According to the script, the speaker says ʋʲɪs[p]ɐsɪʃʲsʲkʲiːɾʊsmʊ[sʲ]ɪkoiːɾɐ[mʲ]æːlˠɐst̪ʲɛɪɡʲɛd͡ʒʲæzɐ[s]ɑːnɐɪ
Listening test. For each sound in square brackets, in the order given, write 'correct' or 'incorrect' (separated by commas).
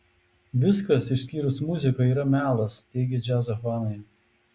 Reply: incorrect, incorrect, correct, incorrect